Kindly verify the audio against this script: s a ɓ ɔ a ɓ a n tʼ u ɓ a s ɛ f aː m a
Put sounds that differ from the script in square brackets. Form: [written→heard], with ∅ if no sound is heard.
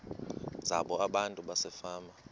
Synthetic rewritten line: [s→z] a ɓ ɔ a ɓ a n tʼ u ɓ a s ɛ f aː m a